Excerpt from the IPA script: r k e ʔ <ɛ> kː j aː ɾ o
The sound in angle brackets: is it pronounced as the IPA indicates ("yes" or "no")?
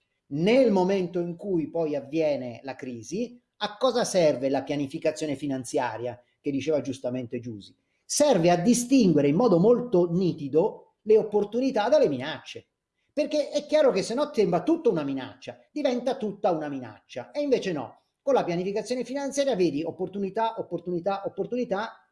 yes